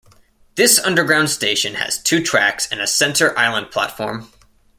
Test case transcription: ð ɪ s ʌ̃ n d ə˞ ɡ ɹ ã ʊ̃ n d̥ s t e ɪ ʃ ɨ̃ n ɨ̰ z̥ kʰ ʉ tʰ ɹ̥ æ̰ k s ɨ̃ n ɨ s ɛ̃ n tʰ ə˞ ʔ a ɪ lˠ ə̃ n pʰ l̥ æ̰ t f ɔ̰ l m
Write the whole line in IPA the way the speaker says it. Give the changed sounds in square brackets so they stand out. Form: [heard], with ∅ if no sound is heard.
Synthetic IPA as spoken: ð ɪ s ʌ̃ n d ə˞ ɡ ɹ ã ʊ̃ n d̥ s t e ɪ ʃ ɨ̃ n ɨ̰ z̥ [tʰ] ʉ tʰ ɹ̥ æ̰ k s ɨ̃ n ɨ s ɛ̃ n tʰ ə˞ ʔ a ɪ lˠ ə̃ n pʰ l̥ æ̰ t f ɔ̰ [ɹ] m